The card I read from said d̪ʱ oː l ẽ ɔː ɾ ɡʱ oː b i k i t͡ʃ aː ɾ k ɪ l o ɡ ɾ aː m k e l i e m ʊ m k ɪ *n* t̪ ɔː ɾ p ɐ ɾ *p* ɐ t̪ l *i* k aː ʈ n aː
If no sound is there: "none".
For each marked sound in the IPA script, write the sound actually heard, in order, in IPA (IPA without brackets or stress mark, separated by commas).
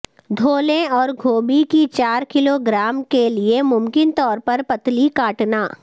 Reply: n, p, i